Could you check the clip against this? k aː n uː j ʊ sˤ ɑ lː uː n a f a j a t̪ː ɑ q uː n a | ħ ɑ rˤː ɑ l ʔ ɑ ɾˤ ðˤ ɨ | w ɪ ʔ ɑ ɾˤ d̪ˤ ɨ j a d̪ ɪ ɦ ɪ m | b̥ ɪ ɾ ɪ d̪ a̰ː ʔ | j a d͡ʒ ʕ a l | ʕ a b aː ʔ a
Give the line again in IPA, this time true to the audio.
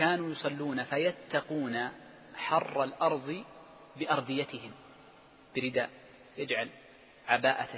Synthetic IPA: k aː n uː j ʊ sˤ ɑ lː uː n a f a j a t̪ː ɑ q uː n a | ħ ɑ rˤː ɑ l ʔ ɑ ɾˤ ðˤ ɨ | b ɪ ʔ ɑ ɾˤ d̪ˤ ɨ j a t̪ ɪ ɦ ɪ m | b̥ ɪ ɾ ɪ d̪ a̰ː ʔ | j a d͡ʒ ʕ a l | ʕ a b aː ʔ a